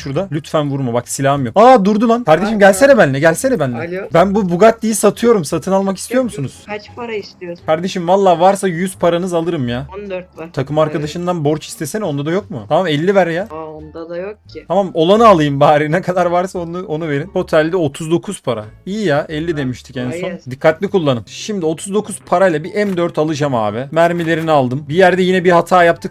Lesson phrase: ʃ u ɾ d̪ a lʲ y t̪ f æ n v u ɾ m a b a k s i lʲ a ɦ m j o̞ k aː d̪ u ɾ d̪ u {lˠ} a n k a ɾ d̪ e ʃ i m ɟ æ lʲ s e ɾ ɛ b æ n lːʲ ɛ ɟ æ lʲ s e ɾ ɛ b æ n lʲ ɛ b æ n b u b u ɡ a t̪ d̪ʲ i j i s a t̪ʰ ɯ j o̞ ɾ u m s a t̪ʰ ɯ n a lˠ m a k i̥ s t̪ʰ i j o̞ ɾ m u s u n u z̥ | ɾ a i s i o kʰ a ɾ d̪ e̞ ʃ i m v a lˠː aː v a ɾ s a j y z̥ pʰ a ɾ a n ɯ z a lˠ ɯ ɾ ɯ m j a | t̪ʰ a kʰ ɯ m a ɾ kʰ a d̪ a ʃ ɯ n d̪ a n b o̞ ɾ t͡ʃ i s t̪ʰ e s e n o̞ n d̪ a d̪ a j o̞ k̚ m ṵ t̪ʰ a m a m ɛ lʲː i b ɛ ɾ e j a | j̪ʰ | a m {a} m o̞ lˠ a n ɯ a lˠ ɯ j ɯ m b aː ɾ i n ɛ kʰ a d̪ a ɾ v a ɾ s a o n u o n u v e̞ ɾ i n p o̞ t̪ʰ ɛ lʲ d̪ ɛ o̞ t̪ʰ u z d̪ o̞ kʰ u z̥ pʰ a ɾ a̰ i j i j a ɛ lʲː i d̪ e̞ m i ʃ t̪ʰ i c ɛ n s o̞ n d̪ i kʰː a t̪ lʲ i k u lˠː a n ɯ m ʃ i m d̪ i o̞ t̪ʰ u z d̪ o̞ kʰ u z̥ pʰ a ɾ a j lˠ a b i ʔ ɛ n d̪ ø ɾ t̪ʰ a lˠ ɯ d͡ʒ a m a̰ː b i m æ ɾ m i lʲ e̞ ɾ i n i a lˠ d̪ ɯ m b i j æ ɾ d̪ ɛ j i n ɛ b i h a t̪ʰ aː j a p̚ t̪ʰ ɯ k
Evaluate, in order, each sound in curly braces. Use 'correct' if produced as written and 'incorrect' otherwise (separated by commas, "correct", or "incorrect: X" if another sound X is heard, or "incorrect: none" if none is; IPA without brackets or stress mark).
correct, correct